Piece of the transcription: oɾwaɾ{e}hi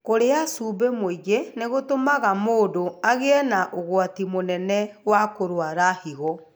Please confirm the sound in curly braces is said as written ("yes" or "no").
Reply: no